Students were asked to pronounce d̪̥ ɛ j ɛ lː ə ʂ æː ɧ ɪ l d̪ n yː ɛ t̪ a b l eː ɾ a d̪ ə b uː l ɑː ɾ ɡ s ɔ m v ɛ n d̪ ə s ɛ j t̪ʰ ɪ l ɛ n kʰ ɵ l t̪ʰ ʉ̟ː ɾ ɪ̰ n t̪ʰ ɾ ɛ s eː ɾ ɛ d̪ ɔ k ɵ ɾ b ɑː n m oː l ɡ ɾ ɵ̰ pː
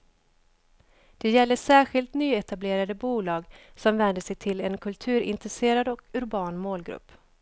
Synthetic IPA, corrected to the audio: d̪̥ ɛ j ɛ lː ə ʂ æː ɧ ɪ l t̪ n yː ɛ t̪ a b l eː ɾ a d̪ ə b uː l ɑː ɡ s ɔ m v ɛ n d̪ ə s ɛ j t̪ʰ ɪ l ɛ n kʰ ɵ l t̪ʰ ʉ̟ː ɾ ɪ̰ n t̪ ɾ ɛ s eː ɾ a d̪ ɔ k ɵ ɾ b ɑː n m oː l ɡ ɾ ɵ̰ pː

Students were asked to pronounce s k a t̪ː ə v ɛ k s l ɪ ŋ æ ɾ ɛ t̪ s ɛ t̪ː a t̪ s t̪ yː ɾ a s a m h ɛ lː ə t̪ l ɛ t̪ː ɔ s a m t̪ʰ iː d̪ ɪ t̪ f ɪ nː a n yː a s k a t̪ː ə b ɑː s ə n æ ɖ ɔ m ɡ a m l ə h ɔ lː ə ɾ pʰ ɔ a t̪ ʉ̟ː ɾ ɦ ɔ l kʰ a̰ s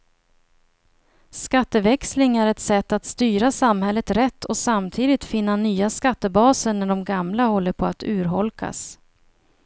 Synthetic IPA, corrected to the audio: s k a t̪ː ə v ɛ k s l ɪ ŋ æ ɾ ɛ t̪ s ɛ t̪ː a t̪ s t̪ yː ɾ a s a m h ɛ lː ə t̪ ɾ ɛ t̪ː ɔ s a m t̪ʰ iː d̪ ɪ t̪ f ɪ nː a n yː a s k a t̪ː ə b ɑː s ə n æ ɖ ɔ m ɡ a m l a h ɔ lː ə ɾ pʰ ɔ a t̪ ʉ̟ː ɾ ɦ ɔ l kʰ a̰ s

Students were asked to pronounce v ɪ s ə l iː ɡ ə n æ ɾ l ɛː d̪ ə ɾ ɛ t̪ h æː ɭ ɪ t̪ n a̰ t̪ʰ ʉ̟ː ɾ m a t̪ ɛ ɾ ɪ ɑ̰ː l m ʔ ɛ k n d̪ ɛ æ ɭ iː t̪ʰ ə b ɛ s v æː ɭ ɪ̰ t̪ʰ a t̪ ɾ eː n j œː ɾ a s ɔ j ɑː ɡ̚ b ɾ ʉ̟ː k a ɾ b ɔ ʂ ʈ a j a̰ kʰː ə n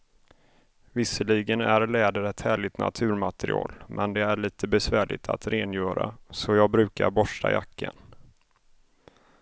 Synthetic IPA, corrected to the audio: v ɪ s ə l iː ɡ ə n æ ɾ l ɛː d̪ ə ɾ ɛ t̪ h æː ɭ ɪ t̪ n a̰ t̪ʰ ʉ̟ː ɾ m a t̪ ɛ ɾ ɪ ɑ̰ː l m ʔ ɛ n d̪ ɛ æ ɭ iː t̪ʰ ə b ɛ s v æː ɭ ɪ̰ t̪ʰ a t̪ ɾ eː n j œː ɾ a s ɔ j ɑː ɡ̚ b ɾ ʉ̟ː k a ɾ b ɔ ʂ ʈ a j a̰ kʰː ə n

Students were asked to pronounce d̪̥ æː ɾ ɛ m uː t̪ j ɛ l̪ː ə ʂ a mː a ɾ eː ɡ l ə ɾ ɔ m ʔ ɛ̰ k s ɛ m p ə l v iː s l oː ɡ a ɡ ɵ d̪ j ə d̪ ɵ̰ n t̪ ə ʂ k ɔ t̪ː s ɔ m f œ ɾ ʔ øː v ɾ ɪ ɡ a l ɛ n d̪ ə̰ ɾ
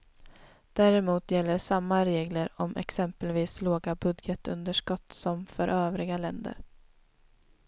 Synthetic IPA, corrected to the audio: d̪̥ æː ɾ ɛ m uː t̪ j ɛ l̪ː ə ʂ a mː a ɾ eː ɡ l ə ɾ ɔ m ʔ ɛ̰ k s ɛ m p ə l v iː s l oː ɡ a b ɵ d̪ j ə t̪ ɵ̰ n d̪ ə ʂ k ɔ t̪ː s ɔ m f œ ɾ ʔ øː v ɾ ɪ ɡ a l ɛ n d̪ ə̰ ɾ

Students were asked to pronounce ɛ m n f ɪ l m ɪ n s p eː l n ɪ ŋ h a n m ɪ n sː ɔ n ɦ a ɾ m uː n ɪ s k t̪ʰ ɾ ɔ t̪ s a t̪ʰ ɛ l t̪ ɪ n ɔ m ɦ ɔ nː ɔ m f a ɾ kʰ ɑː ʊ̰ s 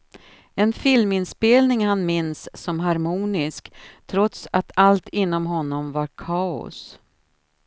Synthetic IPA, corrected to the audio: ɛ n f ɪ l m ɪ n s p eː l n ɪ ŋ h a n m ɪ n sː ɔ m ɦ a ɾ m uː n ɪ s k t̪ʰ ɾ ɔ t̪ s a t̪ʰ a l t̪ ɪ nː ɔ m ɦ ɔ nː ɔ m v a ɾ kʰ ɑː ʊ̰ s

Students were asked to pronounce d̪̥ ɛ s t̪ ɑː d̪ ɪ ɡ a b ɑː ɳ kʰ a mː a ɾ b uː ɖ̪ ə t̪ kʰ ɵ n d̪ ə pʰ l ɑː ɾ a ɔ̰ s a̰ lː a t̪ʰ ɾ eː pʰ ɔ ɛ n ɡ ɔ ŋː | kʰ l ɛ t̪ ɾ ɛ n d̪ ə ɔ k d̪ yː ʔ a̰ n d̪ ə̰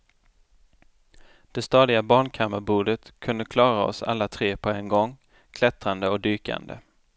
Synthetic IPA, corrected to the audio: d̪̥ ɛ s t̪ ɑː d̪ ɪ ɡ a b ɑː ɳ kʰ a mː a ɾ b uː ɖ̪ ə t̪ kʰ ɵ n d̪ ə kʰ l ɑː ɾ a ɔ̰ s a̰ lː a t̪ʰ ɾ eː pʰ ɔ ɛ n ɡ ɔ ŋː | kʰ l ɛ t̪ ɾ a n d̪ ə ɔ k d̪ yː k a̰ n d̪ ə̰

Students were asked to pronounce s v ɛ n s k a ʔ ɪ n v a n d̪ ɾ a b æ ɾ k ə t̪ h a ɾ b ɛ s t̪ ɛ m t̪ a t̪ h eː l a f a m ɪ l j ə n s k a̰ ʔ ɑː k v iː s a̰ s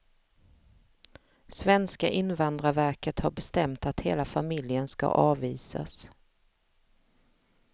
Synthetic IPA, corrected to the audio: s v ɛ n s k a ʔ ɪ n v a n d̪ ɾ a v æ ɾ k ə t̪ h a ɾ b ɛ s t̪ ɛ m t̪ a t̪ h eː l a f a m ɪ l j ə n s k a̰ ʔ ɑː v iː s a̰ s

